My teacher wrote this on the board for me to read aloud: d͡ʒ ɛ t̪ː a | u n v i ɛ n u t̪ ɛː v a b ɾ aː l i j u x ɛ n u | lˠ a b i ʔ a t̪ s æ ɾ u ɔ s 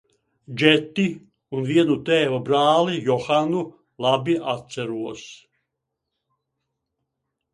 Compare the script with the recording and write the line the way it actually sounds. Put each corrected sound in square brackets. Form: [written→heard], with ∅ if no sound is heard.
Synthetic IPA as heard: d͡ʒ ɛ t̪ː [a→i] | u n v i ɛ n u t̪ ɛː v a b ɾ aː l i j [u→ɔ] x [ɛ→a] n u | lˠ a b i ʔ a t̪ s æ ɾ u ɔ s